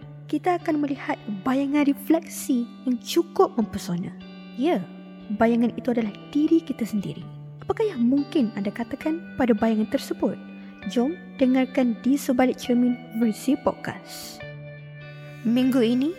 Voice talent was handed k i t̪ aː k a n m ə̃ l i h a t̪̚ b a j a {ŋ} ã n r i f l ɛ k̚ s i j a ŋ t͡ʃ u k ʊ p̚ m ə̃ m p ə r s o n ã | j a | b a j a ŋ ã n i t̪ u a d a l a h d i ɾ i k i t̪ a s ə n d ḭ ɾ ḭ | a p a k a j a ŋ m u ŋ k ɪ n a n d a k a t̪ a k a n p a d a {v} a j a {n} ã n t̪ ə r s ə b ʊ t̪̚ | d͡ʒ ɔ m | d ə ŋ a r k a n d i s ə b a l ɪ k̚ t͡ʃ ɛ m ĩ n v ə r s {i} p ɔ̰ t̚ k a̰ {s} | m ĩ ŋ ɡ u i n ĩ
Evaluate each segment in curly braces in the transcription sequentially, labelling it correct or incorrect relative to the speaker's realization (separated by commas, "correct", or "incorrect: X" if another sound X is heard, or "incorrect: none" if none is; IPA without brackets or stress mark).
correct, incorrect: b, incorrect: ŋ, correct, correct